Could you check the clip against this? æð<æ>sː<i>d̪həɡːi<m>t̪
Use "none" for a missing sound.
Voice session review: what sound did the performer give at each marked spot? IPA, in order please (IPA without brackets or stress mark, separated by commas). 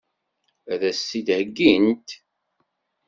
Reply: æ, i, n